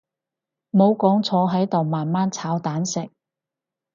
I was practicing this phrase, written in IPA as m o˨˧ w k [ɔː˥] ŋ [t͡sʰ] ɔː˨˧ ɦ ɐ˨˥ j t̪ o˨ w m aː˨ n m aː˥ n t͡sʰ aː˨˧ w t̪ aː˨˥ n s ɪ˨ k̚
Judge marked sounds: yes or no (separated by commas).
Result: no, yes